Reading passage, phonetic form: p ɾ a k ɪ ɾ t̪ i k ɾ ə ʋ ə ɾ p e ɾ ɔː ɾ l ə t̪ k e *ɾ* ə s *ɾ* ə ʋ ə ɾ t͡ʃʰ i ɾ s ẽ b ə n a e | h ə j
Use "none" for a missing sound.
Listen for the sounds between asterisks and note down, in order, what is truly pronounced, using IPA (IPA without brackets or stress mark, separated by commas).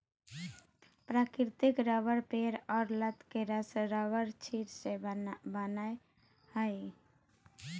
ɾ, ɾ